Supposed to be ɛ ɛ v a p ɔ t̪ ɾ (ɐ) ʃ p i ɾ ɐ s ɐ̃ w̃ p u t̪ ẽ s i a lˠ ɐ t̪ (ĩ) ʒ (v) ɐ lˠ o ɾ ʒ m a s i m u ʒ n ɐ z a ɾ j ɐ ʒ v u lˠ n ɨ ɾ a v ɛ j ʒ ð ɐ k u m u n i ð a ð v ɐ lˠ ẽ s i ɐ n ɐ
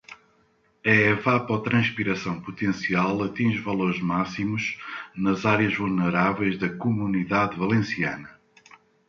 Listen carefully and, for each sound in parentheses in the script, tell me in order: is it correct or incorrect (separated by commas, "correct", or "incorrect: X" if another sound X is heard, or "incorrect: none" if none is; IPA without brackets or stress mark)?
incorrect: ɐ̃, correct, correct